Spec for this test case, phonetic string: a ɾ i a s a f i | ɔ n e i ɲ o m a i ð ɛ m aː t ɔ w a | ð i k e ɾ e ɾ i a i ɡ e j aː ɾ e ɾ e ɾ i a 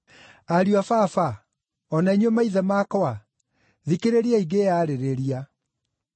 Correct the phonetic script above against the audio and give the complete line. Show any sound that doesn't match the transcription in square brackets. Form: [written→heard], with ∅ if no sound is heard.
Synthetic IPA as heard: a ɾ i a [s→f] a f [i→a] | ɔ n [e→a] i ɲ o m a i ð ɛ m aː [t→k] ɔ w a | ð i k e ɾ e ɾ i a i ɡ e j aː ɾ e ɾ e ɾ i a